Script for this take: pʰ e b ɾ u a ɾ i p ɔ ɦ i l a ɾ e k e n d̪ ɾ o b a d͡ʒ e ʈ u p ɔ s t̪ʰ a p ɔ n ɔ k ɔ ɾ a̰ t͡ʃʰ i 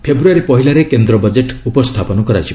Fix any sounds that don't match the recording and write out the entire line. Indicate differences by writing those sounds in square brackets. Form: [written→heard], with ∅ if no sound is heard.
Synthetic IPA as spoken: pʰ e b ɾ u a ɾ i p ɔ ɦ i l a ɾ e k e n d̪ ɾ [o→ɔ] b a d͡ʒ e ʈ u p ɔ s t̪ʰ a p ɔ n ɔ k ɔ ɾ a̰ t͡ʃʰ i